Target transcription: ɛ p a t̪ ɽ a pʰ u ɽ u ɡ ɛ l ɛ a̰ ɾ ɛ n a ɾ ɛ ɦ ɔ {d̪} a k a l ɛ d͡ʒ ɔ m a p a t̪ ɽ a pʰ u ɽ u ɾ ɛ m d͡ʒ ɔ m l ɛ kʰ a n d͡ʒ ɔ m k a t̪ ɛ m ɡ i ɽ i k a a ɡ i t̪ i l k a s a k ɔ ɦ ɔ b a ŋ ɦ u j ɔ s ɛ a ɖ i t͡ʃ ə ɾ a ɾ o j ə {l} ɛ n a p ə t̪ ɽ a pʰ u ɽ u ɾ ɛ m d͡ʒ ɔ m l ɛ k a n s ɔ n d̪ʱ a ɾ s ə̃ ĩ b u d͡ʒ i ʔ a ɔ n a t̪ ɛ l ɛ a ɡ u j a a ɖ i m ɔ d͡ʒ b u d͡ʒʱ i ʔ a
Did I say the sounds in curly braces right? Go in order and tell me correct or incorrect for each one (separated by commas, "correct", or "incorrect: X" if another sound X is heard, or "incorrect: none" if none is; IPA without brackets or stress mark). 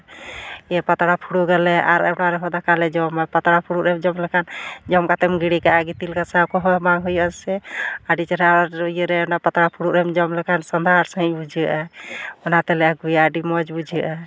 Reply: correct, incorrect: ɾ